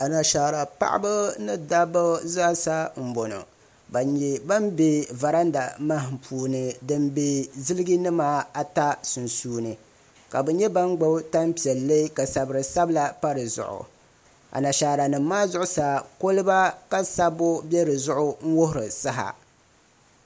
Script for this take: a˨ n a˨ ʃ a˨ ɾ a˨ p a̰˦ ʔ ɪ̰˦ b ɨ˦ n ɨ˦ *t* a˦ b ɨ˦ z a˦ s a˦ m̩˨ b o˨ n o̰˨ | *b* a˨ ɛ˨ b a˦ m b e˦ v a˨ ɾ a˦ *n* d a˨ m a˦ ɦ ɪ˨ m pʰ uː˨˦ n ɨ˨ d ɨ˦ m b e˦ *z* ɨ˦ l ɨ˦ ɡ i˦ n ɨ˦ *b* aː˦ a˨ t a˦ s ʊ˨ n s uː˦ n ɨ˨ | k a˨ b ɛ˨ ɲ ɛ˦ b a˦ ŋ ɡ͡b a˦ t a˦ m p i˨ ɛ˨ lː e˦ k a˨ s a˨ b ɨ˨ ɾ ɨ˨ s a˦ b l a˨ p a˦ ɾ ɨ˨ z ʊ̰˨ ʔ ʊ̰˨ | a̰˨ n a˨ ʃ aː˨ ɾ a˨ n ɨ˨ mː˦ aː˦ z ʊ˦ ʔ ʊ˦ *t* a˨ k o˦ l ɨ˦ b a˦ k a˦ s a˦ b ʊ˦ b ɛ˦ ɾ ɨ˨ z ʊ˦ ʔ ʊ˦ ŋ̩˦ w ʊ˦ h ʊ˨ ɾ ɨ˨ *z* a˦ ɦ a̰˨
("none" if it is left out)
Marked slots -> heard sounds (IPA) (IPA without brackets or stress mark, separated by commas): d, b, n, z, m, s, s